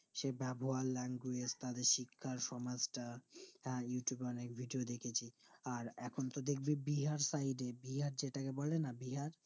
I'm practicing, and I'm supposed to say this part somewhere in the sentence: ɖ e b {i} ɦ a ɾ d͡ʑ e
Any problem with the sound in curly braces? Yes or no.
no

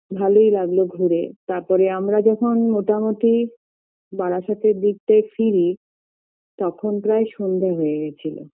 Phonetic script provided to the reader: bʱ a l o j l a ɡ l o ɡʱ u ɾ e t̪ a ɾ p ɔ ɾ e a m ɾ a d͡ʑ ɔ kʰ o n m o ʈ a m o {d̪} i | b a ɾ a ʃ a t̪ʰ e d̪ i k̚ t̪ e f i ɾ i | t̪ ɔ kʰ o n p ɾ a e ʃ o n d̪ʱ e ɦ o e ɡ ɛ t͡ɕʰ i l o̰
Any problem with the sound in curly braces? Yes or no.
yes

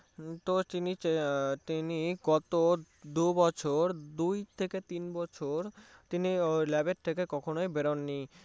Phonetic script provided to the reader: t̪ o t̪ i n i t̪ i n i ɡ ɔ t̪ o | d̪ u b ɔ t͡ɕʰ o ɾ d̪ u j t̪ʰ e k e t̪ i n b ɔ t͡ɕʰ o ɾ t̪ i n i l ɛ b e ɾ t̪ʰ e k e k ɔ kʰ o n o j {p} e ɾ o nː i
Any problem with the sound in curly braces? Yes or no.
yes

